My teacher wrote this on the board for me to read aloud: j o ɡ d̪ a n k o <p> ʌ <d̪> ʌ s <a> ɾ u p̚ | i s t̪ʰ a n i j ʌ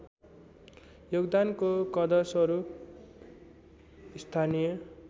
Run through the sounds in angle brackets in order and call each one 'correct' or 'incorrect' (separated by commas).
incorrect, correct, incorrect